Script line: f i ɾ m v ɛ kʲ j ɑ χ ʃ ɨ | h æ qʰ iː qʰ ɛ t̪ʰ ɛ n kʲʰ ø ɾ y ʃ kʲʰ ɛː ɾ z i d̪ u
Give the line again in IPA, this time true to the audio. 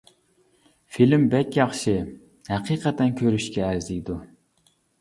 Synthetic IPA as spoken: f i l m b ɛ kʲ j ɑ χ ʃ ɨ | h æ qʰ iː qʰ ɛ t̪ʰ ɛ n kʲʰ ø ɾ y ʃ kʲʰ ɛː ɾ z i d̪ u

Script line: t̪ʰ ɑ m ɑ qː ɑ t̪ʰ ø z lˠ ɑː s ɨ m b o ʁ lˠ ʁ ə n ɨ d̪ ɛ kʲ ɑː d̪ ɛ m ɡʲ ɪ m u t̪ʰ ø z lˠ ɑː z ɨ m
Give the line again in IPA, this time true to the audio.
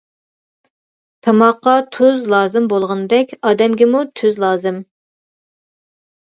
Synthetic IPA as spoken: t̪ʰ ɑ m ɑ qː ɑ t̪ʰ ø z lˠ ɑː z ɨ m b o lˠ ʁ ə n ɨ d̪ ɛ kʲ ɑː d̪ ɛ m ɡʲ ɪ m u t̪ʰ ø z lˠ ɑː z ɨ m

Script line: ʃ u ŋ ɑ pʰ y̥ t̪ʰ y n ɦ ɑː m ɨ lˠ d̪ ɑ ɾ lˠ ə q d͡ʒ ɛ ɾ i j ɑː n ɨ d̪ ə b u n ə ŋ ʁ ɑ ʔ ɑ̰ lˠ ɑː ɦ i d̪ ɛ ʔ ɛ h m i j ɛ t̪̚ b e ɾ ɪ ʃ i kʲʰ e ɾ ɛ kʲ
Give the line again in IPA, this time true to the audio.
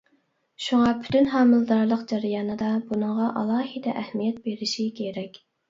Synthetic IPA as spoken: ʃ u ŋ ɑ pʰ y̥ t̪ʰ y n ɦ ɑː m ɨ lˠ d̪ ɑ ɾ lˠ ə q d͡ʒ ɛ ɾ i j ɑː n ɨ d̪ ɑ b u n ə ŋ ʁ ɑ ʔ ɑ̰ lˠ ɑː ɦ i d̪ ɛ ʔ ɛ h m i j ɛ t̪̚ b e ɾ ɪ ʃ i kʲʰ e ɾ ɛ kʲ

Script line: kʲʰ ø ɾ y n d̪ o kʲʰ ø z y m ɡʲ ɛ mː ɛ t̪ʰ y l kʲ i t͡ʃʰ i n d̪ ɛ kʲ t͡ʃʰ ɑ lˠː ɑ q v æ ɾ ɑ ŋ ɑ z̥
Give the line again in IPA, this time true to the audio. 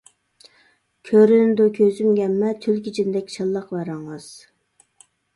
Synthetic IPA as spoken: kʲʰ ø ɾ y n d̪ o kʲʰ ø z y m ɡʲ ɛ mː ɛ t̪ʰ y l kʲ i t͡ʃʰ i n d̪ ɛ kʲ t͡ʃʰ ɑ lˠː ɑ q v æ ɾ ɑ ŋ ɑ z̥

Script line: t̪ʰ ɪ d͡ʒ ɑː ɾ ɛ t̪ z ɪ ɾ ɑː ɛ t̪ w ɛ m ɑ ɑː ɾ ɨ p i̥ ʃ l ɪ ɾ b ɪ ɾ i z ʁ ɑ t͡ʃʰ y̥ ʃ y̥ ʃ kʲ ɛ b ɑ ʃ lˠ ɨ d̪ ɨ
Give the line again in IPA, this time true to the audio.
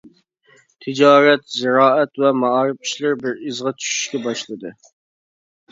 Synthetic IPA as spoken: t̪ʰ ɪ d͡ʒ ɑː ɾ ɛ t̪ z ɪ ɾ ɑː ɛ t̪ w ɛ m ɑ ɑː ɾ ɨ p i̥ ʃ l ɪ ɾ b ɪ ɾ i z ʁ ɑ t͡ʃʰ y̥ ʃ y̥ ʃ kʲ ɛ b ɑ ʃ lˠ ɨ d̪ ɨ

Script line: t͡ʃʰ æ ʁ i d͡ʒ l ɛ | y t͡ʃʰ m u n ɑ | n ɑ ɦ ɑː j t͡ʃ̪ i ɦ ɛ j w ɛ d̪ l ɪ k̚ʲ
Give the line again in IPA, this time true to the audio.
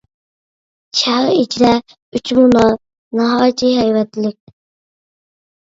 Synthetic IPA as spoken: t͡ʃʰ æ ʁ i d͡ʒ ɾ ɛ | y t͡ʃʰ m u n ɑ | n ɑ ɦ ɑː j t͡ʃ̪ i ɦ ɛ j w ɛ t̪ l ɪ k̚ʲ

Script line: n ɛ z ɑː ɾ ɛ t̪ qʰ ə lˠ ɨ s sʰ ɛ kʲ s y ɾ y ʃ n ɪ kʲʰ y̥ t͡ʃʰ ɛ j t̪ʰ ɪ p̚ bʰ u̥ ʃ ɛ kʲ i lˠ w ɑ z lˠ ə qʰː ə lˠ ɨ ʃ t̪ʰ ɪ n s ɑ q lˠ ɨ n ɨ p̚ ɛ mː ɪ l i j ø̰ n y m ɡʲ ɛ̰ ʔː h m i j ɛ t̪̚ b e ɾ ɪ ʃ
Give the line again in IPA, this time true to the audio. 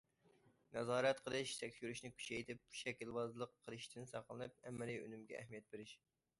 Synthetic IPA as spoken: n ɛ z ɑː ɾ ɛ t̪ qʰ ə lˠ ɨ ʃ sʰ ɛ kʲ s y ɾ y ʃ n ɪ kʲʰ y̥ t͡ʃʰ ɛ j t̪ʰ ɪ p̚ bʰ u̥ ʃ ɛ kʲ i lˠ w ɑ z lˠ ə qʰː ə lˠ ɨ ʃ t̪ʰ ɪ n s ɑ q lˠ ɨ n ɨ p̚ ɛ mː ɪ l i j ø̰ n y m ɡʲ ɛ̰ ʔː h m i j ɛ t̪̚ b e ɾ ɪ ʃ

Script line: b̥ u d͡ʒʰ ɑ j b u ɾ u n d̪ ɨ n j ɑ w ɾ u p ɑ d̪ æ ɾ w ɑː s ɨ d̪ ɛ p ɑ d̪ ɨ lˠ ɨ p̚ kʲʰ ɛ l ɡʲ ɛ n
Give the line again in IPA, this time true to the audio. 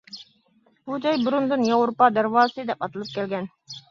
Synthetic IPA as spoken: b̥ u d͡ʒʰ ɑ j b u ɾ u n d̪ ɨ n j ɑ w ɾ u p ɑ d̪ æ ɾ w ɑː s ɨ d̪ ɛ p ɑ t̪ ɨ lˠ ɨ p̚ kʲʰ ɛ l ɡʲ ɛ n

